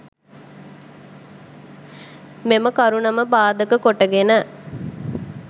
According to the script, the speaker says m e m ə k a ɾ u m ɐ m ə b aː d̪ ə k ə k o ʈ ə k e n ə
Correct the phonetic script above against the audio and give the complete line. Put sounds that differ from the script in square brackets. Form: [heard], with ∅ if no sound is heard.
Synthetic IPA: m e m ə k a ɾ u [n] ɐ m ə b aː d̪ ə k ə k o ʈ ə [ɡ] e n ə